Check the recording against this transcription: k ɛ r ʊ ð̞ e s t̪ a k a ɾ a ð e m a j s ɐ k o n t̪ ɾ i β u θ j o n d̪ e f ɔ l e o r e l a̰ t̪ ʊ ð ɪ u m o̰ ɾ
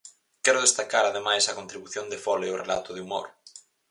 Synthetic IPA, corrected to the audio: k ɛ ɾ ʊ ð̞ e s t̪ a k a ɾ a ð e m a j s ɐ k o n t̪ ɾ i β u θ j o n d̪ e f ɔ l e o r e l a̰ t̪ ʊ ð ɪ u m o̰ ɾ

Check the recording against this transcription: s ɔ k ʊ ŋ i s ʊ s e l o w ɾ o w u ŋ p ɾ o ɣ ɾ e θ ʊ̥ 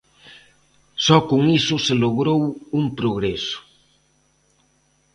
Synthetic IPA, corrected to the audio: s ɔ k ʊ ŋ i s ʊ s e l o ɣ ɾ o w u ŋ p ɾ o ɣ ɾ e s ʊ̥

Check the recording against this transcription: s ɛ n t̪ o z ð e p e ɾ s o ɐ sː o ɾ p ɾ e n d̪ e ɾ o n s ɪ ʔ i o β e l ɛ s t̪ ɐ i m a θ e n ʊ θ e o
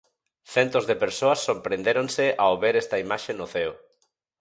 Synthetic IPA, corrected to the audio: θ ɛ n t̪ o z ð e p e ɾ s o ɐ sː o ɾ p ɾ e n d̪ e ɾ o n s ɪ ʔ a o β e ɾ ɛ s t̪ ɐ i m a ʃ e n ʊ θ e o

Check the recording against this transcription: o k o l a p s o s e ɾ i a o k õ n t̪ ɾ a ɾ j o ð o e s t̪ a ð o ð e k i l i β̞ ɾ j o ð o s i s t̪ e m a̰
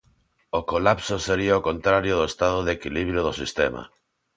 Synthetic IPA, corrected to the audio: o k o l a p s o s e ɾ i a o k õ n t̪ ɾ a ɾ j o ð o e s t̪ a ð o ð e k i l i β̞ ɾ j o ð o s i s t̪ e m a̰

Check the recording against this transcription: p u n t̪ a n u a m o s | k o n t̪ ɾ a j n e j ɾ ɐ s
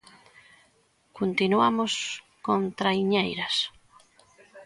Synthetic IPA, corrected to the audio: k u n t̪ i n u a m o s | k o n t̪ ɾ a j ɲ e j ɾ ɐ s

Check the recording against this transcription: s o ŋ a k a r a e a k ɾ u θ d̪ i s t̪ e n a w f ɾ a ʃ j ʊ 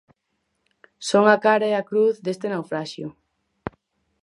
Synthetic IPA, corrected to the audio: s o ŋ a k a ɾ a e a k ɾ u θ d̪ e s t̪ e n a w f ɾ a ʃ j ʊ

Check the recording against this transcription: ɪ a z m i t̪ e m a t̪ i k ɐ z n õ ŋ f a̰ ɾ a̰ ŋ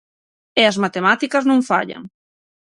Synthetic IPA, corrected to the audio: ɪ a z m a t̪ e m a t̪ i k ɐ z n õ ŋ f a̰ ʎ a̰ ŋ

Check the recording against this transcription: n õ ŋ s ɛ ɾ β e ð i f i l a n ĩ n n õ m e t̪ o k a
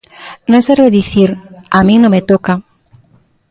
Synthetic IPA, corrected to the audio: n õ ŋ s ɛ ɾ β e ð i θ i ɾ a m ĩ ŋ n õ m e t̪ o k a

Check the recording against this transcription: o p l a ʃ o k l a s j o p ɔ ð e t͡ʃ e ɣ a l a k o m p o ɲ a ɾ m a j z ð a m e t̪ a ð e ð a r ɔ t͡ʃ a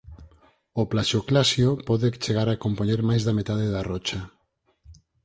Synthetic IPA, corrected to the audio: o p l a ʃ o k l a s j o p ɔ ð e t͡ʃ e ɣ a ɾ a k o m p o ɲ e ɾ m a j z ð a m e t̪ a ð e ð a r ɔ t͡ʃ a

